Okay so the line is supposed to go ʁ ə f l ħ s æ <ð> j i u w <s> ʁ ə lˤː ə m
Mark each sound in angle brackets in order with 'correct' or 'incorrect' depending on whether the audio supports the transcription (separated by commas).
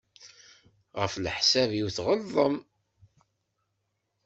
incorrect, incorrect